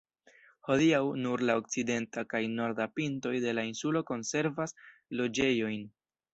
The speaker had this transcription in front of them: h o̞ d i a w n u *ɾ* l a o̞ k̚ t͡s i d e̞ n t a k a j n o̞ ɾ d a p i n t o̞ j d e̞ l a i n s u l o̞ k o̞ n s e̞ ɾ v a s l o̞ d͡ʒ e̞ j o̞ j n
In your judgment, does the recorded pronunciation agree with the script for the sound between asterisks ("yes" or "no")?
yes